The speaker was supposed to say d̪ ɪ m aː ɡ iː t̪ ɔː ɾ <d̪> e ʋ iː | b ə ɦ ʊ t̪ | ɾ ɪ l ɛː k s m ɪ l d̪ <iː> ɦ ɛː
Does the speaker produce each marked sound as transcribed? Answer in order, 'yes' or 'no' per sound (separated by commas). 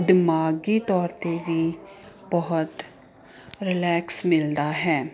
no, no